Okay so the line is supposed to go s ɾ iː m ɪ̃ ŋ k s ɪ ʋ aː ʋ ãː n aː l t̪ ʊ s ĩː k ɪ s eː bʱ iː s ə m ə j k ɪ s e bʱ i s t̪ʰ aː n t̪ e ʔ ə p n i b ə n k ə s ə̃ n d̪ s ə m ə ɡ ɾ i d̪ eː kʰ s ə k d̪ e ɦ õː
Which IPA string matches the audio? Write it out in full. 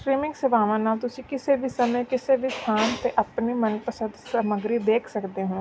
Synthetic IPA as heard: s ɾ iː m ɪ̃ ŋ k s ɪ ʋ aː ʋ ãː n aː l t̪ ʊ s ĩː k ɪ s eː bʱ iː s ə m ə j k ɪ s e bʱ i s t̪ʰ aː n t̪ e ʔ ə p n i m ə n p ə s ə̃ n d̪ s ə m ə ɡ ɾ i d̪ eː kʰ s ə k d̪ e ɦ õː